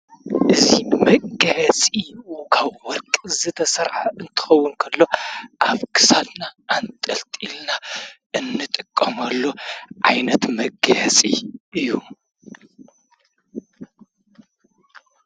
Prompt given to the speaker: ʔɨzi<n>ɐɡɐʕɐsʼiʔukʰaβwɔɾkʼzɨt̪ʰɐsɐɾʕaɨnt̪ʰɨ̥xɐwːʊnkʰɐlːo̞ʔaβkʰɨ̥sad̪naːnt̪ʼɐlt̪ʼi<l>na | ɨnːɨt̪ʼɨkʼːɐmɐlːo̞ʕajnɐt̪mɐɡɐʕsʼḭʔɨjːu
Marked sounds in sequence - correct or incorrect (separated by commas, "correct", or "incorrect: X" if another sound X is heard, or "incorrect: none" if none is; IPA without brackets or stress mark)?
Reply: incorrect: m, correct